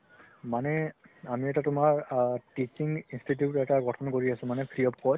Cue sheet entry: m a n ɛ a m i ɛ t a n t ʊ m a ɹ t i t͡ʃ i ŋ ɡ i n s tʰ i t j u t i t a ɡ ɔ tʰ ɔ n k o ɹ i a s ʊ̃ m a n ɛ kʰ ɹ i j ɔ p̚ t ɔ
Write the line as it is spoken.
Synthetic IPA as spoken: m a n ɛ a m i ɛ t a t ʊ m a ɹ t i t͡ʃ i ŋ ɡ i n s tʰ i t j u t ɛ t a ɡ ɔ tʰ ɔ n k o ɹ i a s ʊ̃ m a n ɛ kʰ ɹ i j ɔ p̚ k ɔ